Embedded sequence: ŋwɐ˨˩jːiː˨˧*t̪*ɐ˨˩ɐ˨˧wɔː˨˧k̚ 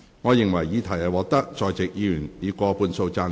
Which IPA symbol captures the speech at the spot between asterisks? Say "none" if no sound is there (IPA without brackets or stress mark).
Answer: t̪ʰ